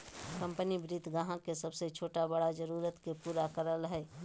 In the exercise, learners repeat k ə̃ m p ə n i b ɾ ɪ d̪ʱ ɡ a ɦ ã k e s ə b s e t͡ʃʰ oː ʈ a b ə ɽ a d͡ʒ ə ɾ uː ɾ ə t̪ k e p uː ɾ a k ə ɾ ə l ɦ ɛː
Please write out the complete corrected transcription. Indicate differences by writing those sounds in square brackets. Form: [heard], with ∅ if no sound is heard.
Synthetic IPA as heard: k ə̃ m p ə n i b ɾ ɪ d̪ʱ ɡ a ɦ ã k e s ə b s e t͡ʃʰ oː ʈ a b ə ɽ a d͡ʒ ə ɾ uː ɾ ə t̪ k e p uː ɾ a k ə ɾ ə l ɦ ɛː